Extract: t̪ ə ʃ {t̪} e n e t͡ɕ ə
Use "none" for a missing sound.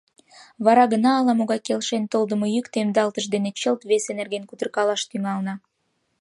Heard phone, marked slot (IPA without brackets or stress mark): d̪